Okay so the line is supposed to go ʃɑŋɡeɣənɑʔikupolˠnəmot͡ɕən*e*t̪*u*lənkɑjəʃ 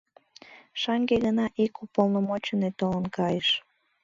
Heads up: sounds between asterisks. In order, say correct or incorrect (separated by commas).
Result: correct, incorrect